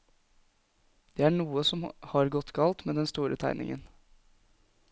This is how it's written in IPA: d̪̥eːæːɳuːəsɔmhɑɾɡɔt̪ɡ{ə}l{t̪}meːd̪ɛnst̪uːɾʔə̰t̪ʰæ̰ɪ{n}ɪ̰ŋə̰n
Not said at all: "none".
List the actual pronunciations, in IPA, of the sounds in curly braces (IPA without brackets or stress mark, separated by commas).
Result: ɑ, t̪, n